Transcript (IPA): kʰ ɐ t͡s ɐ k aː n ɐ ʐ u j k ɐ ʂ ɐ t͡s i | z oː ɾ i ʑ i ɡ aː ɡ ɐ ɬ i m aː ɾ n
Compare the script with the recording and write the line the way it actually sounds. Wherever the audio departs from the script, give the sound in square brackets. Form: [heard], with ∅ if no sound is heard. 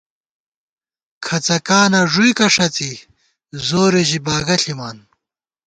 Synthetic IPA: kʰ ɐ t͡s ɐ k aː n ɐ ʐ u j k ɐ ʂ ɐ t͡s i | z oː ɾ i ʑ i [b] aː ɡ ɐ ɬ i m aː [∅] n